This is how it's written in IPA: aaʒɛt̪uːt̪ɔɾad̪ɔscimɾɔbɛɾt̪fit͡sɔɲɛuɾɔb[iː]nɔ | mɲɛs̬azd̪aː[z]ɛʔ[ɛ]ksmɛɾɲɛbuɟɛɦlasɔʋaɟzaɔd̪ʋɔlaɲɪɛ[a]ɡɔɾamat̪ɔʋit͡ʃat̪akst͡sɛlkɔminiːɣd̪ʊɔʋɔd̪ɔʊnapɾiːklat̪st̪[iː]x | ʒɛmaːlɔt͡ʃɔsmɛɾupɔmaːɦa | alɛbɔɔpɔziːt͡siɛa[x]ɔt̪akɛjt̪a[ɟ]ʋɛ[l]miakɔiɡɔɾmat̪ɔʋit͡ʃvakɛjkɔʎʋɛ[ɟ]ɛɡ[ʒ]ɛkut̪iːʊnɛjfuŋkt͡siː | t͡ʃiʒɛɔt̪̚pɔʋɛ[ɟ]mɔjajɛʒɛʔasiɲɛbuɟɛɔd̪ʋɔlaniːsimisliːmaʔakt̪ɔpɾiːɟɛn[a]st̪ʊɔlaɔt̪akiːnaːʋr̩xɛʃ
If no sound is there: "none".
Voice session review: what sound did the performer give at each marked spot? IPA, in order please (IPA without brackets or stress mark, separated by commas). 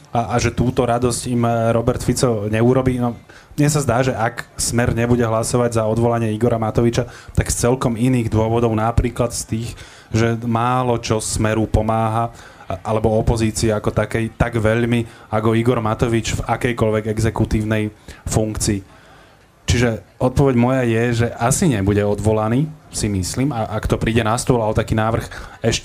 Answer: iː, ʒ, a, i, iː, k, ɡ, ʎ, ɡ, z, ɟ, a